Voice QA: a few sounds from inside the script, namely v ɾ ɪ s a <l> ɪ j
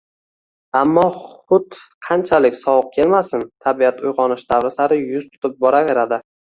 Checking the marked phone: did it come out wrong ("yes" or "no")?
yes